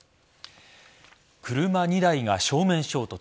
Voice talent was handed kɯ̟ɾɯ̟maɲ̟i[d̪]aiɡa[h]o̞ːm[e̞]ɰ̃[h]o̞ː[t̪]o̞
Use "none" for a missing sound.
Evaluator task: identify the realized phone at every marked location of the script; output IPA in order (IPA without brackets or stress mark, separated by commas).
d̪, ɕ, ẽ̞, ɕ, t̪